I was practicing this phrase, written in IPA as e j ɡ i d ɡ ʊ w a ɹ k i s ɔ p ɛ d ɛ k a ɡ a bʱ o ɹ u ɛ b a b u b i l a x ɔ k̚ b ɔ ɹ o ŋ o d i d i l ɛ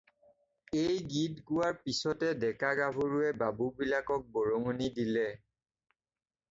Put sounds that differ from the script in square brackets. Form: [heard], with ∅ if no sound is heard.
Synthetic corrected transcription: e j ɡ i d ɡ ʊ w a ɹ [p] i s ɔ [t] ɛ d ɛ k a ɡ a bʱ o ɹ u ɛ b a b u b i l a [k] ɔ k̚ b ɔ ɹ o ŋ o [n] i d i l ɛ